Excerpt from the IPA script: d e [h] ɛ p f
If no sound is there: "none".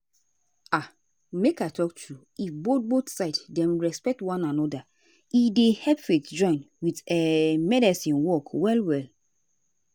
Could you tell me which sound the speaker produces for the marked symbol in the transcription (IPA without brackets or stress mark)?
h